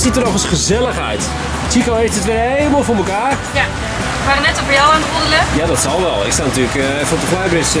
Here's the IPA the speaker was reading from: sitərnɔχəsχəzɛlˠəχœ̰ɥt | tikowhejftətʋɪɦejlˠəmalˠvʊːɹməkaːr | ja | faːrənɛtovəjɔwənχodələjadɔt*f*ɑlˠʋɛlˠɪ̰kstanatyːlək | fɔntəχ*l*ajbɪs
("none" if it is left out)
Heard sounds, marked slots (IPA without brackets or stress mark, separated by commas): s, l